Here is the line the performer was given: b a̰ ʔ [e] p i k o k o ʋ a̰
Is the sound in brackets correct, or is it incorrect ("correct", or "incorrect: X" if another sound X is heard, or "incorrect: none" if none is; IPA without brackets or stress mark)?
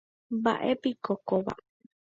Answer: correct